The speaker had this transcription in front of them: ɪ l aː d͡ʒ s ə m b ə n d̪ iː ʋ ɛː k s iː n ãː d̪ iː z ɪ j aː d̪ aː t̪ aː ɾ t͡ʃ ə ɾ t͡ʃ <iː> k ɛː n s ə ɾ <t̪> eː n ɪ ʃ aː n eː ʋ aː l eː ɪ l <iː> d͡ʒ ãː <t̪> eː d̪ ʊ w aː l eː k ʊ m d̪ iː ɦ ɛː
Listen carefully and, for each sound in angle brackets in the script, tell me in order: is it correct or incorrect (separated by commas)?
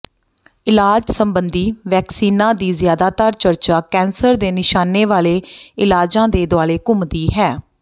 incorrect, incorrect, incorrect, incorrect